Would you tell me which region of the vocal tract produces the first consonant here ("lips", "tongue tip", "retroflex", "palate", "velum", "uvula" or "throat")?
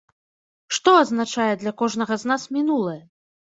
retroflex